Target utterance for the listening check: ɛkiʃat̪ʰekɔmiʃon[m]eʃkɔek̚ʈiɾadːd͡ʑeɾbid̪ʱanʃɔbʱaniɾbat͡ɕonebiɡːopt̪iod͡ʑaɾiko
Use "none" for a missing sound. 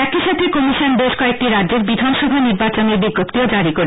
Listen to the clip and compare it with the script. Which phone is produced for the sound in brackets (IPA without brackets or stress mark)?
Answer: b